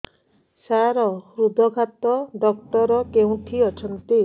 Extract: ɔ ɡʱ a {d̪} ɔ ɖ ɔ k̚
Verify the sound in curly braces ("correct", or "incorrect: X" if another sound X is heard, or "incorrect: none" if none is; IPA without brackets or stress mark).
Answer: incorrect: t̪